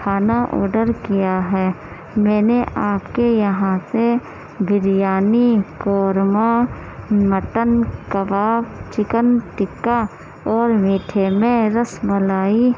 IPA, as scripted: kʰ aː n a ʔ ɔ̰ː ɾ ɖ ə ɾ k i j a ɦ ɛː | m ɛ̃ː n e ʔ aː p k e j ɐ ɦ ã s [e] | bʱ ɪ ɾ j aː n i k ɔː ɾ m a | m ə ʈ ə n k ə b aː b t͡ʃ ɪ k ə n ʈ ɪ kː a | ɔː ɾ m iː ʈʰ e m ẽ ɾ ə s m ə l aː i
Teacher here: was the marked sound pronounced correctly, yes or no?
yes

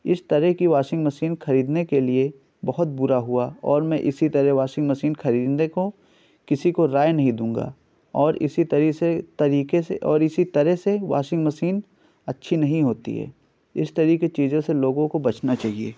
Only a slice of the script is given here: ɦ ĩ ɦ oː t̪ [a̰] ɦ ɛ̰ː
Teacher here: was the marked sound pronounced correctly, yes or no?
no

